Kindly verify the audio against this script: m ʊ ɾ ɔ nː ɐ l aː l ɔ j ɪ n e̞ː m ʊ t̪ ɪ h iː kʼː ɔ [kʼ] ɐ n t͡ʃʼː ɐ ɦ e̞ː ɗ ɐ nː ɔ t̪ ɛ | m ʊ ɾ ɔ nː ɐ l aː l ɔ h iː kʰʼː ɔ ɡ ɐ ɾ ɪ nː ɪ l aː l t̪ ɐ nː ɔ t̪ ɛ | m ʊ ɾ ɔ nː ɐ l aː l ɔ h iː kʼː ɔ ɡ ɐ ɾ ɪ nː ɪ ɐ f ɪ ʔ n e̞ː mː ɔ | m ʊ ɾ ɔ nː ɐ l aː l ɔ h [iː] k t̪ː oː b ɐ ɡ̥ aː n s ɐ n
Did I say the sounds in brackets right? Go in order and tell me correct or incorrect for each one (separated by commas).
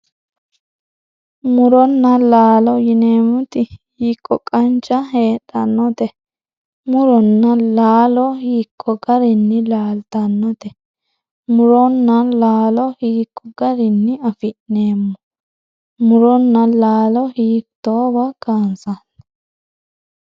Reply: correct, correct